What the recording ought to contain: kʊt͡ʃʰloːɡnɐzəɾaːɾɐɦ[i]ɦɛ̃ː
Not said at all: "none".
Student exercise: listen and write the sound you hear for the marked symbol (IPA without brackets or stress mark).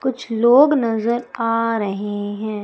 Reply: e